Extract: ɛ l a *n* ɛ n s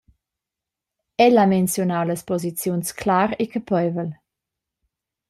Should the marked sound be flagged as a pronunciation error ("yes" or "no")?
yes